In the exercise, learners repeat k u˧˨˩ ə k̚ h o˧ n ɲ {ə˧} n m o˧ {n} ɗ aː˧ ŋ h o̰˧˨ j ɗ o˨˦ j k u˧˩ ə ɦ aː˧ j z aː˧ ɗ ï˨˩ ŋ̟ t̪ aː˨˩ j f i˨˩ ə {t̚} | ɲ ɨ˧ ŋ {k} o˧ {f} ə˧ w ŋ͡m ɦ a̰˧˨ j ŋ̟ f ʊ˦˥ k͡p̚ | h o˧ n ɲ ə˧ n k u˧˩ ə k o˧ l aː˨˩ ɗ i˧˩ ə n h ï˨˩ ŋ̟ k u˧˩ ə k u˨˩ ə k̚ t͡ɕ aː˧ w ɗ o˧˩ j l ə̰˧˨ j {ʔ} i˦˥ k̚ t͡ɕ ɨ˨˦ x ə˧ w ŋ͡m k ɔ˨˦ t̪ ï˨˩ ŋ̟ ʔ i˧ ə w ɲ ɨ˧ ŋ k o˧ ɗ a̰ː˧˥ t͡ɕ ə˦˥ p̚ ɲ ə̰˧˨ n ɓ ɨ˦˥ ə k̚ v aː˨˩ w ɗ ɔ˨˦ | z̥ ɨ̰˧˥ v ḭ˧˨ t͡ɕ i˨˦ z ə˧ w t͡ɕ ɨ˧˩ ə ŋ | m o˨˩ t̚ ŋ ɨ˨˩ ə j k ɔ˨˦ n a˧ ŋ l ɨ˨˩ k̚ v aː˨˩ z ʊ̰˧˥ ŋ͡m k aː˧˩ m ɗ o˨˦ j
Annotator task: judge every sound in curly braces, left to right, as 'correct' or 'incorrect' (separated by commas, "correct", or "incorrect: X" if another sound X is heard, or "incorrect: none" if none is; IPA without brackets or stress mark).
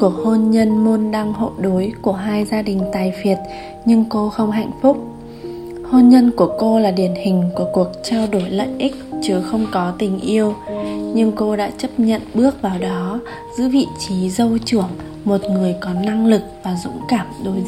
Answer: correct, correct, correct, correct, incorrect: x, correct